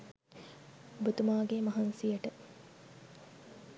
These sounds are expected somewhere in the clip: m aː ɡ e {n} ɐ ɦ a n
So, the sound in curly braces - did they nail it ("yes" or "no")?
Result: no